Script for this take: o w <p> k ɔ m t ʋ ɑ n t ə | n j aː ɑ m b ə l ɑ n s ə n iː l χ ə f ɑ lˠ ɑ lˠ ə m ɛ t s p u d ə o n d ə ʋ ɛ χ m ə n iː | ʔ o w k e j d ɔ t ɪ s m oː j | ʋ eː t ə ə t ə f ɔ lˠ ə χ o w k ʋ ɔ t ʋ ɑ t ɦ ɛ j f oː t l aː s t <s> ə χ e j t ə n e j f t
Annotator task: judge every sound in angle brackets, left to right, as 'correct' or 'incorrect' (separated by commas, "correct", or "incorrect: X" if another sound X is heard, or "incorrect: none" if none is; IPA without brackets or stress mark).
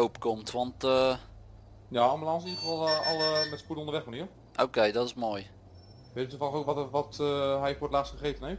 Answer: correct, incorrect: χ